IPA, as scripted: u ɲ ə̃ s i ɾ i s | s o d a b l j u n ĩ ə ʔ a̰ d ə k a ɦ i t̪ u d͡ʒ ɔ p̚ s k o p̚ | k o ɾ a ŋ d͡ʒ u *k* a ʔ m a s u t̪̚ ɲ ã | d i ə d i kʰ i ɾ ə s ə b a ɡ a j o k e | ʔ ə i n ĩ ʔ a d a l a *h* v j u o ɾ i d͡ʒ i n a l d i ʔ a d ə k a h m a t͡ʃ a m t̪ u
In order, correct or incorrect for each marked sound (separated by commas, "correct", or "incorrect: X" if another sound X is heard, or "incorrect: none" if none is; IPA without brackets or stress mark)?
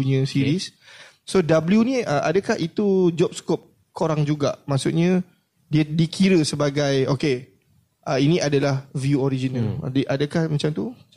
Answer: incorrect: ɡ, correct